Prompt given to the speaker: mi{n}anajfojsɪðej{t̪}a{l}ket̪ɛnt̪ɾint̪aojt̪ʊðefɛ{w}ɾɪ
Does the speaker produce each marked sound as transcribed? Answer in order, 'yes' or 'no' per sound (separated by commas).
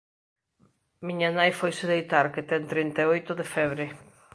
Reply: no, yes, no, no